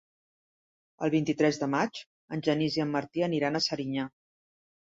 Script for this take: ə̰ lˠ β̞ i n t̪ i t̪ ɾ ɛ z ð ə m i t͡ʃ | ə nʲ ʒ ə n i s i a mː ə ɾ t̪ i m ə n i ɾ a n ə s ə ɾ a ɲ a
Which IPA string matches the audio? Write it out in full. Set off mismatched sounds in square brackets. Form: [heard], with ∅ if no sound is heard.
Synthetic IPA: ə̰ lˠ β̞ i n t̪ i t̪ ɾ ɛ z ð ə m [a] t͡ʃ | ə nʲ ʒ ə n i [z] i [ə] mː ə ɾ t̪ i [∅] ə n i ɾ a n ə s ə ɾ [i] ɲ a